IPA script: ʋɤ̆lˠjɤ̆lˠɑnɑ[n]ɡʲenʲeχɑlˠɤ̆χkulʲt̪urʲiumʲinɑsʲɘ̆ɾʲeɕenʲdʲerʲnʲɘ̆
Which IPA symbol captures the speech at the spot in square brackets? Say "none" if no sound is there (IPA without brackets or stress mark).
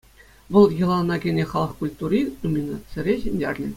none